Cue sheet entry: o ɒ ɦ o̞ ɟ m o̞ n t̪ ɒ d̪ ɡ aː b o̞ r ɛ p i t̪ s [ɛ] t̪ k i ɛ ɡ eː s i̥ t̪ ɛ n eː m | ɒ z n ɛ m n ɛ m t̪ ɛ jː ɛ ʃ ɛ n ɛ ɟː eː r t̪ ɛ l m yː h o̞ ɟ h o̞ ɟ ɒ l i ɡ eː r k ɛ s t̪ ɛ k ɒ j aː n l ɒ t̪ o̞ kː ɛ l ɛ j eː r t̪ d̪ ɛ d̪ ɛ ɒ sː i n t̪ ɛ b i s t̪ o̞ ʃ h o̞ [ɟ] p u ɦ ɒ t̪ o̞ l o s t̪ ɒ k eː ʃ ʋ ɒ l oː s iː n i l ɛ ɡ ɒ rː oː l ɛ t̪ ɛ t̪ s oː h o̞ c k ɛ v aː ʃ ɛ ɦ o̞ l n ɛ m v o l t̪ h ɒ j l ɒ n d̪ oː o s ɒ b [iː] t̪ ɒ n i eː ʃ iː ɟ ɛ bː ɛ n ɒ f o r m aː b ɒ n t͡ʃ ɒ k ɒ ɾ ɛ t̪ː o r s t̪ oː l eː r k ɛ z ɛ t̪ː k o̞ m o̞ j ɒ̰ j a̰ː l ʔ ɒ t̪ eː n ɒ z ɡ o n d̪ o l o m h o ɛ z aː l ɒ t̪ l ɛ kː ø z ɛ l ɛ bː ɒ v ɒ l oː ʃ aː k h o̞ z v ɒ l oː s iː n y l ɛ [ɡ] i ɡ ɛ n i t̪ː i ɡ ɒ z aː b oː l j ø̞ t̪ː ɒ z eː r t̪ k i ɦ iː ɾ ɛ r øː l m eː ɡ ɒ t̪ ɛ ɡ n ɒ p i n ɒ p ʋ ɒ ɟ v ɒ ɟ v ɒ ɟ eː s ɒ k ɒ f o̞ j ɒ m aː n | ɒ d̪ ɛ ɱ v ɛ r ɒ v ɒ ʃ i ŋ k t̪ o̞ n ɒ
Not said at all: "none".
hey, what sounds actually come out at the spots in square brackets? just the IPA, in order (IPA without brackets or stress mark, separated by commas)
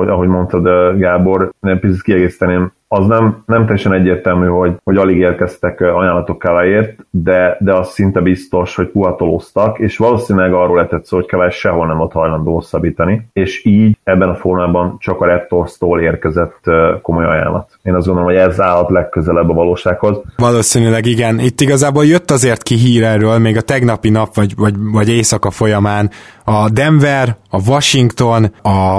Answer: i, c, iː, ɡ